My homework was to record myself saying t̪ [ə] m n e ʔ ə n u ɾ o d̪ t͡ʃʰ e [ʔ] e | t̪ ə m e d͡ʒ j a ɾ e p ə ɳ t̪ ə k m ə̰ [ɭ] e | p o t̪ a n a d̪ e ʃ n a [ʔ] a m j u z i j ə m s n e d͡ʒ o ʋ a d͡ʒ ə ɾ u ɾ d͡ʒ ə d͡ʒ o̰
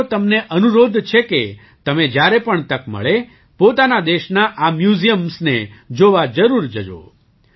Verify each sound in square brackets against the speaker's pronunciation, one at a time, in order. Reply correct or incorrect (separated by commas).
correct, incorrect, correct, correct